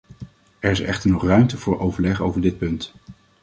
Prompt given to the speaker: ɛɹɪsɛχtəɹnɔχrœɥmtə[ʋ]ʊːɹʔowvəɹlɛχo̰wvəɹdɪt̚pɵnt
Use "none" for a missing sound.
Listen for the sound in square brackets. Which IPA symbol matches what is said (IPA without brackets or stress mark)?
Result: v